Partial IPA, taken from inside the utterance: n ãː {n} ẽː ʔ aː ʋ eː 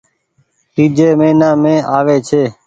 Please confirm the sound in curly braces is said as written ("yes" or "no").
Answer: no